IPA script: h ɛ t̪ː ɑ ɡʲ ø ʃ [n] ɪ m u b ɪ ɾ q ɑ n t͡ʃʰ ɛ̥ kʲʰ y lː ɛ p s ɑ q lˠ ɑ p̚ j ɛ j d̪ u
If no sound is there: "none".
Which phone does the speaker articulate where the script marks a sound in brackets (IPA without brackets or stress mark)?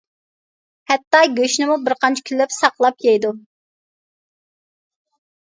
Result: n